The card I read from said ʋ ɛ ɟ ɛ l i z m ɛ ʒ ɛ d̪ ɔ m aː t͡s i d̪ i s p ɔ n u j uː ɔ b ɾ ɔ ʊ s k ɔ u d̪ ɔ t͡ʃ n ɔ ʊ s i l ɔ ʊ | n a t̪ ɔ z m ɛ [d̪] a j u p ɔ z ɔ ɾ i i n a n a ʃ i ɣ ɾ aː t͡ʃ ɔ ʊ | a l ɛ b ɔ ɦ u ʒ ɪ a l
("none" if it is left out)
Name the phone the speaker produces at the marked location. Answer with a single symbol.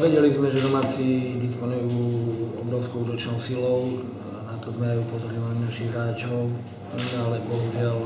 none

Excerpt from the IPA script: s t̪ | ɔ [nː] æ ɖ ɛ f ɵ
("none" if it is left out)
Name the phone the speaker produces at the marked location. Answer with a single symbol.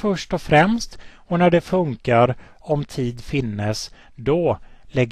n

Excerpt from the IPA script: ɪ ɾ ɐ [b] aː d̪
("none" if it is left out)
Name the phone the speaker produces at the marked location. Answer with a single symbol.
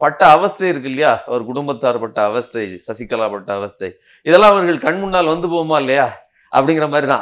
m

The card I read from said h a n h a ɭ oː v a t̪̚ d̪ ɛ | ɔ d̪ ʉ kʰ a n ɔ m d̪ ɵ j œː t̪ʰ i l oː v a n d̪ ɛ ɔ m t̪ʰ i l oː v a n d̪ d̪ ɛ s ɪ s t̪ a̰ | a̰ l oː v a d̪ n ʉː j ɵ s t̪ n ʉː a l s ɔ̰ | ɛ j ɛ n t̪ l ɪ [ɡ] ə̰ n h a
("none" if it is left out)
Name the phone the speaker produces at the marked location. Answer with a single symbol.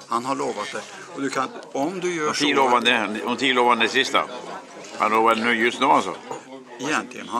ɡ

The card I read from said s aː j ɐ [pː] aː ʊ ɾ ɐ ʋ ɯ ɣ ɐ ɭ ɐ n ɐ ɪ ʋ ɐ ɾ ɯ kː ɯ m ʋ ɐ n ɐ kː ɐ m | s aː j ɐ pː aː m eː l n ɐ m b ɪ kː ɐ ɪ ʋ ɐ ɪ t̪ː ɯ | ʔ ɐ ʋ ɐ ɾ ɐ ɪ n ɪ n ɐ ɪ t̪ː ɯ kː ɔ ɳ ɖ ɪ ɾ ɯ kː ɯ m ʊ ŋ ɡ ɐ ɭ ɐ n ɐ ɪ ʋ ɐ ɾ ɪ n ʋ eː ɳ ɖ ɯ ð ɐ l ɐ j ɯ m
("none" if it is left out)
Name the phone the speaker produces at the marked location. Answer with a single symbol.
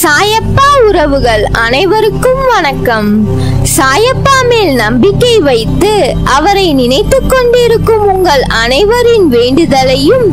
pː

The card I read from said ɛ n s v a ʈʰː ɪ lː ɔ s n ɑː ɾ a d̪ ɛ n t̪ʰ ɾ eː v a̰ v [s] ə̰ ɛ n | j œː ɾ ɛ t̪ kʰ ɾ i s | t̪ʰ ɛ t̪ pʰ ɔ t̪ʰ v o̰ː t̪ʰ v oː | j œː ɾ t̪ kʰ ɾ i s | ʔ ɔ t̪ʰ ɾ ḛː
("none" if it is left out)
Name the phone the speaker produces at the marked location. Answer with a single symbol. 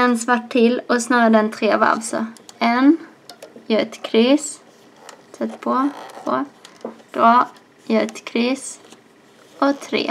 s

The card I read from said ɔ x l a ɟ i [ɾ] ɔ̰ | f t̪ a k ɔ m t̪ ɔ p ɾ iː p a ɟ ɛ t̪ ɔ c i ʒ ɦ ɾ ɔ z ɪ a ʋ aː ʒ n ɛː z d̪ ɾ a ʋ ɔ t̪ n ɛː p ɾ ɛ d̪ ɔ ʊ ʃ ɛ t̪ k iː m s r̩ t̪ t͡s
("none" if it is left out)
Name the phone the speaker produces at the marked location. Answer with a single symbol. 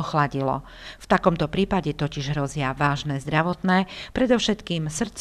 l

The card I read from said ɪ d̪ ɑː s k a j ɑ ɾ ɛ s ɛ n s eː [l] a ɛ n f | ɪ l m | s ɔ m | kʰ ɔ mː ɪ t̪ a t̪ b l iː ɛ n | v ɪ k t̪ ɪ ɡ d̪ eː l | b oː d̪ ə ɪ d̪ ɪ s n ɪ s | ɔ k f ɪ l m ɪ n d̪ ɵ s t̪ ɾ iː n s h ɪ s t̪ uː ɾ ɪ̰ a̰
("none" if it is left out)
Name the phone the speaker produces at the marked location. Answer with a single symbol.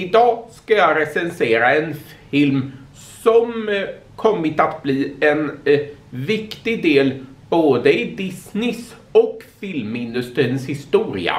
ɾ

